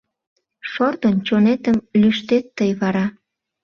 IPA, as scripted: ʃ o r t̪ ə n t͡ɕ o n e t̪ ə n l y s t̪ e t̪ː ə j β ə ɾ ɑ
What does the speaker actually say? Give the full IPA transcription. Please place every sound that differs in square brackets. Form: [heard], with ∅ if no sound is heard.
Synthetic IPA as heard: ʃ o r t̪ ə n t͡ɕ o n e t̪ ə [m] l y [ʃ] t̪ e t̪ː ə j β [ɑ] ɾ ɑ